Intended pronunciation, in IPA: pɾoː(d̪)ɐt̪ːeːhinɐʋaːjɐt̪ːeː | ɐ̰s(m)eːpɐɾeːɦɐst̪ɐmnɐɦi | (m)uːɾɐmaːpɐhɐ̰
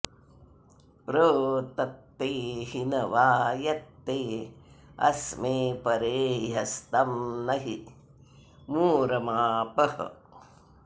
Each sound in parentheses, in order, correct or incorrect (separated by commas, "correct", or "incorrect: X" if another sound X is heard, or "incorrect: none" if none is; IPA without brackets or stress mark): incorrect: t̪, correct, correct